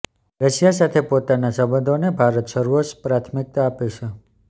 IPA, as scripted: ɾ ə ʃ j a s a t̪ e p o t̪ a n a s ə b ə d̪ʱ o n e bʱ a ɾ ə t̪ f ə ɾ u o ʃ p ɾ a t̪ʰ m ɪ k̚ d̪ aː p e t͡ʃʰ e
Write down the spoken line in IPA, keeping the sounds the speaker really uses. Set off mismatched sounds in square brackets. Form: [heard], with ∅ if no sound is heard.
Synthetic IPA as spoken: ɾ ə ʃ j a s a [t̪ʰ] e p o t̪ a n a s ə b ə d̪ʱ o n e bʱ a ɾ ə t̪ [ʃ] ə ɾ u o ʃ p ɾ a t̪ʰ m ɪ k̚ [t̪] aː p e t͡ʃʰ e